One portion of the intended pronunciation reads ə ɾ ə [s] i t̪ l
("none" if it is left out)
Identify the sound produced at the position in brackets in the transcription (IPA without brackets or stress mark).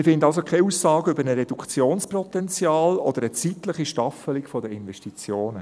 t͡s